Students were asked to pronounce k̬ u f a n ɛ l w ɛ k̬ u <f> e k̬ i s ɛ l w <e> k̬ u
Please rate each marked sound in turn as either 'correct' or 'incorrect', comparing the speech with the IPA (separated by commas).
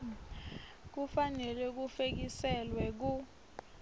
correct, incorrect